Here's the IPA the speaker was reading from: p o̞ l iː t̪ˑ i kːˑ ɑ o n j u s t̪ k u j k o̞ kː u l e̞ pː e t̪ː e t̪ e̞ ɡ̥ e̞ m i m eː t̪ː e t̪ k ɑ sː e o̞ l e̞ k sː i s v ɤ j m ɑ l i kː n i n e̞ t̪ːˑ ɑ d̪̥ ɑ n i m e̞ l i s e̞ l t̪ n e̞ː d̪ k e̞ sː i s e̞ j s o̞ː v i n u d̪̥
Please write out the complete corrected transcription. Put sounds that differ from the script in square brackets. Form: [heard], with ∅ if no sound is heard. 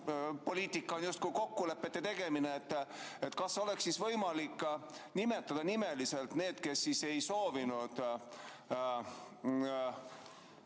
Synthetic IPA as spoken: p o̞ l iː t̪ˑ i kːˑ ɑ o n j u s t̪ k u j k o̞ kː u l e̞ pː e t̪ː e t̪ e̞ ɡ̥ e̞ m i [n] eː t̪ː e t̪ k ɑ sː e o̞ l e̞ k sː i s v ɤ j m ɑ l i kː n i [m] e̞ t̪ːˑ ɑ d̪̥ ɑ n i m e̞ l i s e̞ l t̪ n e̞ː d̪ k e̞ sː i s e̞ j s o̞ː v i n u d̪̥